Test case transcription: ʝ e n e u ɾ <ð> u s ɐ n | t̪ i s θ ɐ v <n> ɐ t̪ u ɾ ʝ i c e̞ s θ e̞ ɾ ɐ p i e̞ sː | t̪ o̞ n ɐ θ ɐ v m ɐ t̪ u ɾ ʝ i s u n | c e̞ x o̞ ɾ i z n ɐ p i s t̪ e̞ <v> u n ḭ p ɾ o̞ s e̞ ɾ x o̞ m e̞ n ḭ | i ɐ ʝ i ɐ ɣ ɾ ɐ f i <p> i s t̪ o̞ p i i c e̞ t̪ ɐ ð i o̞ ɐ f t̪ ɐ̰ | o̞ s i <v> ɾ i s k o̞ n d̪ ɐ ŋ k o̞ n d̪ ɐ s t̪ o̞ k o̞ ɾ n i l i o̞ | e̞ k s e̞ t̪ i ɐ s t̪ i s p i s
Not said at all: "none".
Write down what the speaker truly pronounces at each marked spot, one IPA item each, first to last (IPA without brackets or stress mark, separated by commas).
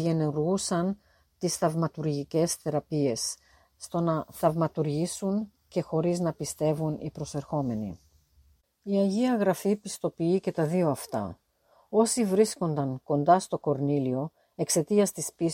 ɣ, m, v, p, v